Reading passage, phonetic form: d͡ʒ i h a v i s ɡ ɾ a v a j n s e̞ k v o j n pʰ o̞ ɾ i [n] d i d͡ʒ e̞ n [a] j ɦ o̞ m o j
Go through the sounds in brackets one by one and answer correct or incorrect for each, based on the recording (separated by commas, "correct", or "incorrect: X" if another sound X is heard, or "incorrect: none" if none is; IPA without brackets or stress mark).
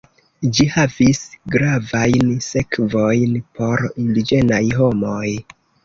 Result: correct, correct